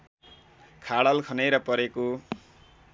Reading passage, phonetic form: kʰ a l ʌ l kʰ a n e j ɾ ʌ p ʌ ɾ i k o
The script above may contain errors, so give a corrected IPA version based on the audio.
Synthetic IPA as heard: kʰ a ɽ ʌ l kʰ ʌ n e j ɾ ʌ p ʌ ɾ e k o